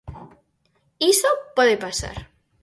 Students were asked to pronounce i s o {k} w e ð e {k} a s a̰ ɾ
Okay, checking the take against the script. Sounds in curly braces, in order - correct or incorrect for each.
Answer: incorrect: p, incorrect: p

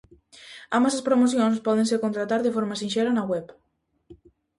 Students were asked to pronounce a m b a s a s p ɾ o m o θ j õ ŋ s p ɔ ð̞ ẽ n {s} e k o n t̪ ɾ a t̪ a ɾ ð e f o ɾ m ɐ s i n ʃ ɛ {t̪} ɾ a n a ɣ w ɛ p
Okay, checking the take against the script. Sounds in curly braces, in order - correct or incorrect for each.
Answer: correct, incorrect: none

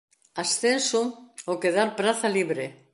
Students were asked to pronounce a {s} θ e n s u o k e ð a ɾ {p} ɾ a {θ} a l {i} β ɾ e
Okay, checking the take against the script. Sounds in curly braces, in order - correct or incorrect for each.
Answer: correct, correct, correct, correct

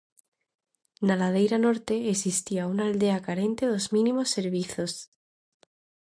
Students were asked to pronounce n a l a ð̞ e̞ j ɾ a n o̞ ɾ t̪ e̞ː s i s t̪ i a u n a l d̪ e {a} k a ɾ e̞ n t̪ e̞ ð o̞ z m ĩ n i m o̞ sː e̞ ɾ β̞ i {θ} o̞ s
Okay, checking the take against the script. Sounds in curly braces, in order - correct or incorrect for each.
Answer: correct, correct

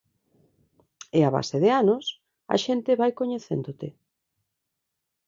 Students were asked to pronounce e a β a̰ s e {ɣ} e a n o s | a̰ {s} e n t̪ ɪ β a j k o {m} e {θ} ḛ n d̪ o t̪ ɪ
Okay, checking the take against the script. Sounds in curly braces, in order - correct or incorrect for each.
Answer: incorrect: ð, incorrect: ʃ, incorrect: ɲ, correct

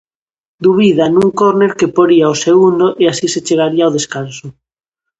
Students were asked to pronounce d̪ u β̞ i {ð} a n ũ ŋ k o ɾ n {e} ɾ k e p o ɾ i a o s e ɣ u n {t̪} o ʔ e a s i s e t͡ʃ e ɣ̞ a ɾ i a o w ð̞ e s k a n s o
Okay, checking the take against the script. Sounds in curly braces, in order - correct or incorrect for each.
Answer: correct, correct, incorrect: d̪

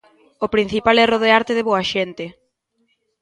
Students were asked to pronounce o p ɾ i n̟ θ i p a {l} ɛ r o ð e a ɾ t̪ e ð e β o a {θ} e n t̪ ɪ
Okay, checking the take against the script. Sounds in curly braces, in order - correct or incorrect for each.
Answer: correct, incorrect: ʃ

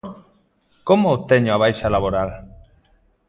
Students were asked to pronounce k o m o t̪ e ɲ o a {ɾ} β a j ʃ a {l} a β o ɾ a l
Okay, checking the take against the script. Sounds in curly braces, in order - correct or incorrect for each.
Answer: incorrect: none, correct

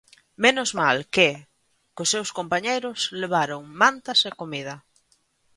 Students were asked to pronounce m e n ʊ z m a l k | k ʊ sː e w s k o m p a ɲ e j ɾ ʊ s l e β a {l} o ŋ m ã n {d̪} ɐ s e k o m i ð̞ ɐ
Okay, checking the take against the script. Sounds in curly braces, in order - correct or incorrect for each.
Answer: incorrect: ɾ, incorrect: t̪

